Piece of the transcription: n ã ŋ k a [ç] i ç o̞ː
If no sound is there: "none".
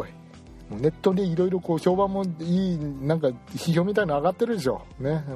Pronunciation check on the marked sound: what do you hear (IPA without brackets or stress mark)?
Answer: ç